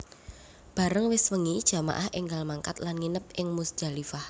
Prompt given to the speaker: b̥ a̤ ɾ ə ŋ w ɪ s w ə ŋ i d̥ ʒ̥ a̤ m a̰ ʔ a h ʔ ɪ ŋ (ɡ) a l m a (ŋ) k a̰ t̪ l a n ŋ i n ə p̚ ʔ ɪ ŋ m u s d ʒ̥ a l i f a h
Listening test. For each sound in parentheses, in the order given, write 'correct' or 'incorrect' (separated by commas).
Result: correct, correct